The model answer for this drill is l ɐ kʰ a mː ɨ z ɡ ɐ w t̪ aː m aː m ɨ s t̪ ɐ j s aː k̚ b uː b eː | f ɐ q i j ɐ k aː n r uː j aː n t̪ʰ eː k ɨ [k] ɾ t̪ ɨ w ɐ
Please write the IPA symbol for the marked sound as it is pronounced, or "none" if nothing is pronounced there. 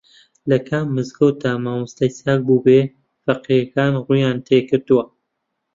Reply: none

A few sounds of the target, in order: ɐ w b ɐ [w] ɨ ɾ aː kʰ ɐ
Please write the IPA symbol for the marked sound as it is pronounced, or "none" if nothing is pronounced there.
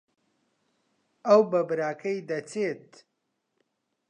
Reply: b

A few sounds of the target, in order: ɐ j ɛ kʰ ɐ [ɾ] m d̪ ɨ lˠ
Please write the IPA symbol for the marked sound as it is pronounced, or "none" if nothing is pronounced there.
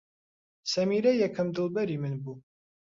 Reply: none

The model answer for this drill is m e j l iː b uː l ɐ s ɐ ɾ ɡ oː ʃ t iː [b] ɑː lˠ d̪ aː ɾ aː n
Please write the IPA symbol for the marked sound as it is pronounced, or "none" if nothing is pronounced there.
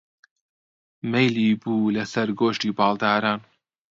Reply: b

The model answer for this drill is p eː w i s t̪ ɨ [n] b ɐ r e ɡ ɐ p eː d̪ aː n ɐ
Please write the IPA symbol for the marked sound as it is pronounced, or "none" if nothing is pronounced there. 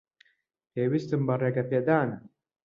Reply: m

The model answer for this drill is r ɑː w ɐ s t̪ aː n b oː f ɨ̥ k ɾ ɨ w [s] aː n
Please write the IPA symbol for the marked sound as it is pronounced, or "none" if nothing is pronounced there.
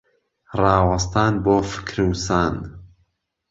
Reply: s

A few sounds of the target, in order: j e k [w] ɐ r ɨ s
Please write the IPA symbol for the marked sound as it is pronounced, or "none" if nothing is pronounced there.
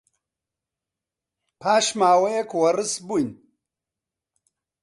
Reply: w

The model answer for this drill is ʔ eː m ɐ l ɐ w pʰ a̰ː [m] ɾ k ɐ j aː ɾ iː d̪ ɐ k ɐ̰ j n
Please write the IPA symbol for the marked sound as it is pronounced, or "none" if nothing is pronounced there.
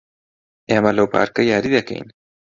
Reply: none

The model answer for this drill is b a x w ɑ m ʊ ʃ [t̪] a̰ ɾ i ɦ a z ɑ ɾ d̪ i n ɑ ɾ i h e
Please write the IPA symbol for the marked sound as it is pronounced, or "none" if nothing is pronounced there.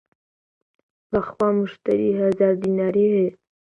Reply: t̪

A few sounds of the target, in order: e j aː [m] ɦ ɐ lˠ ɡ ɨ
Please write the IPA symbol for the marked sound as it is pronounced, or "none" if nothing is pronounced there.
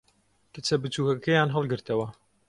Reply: n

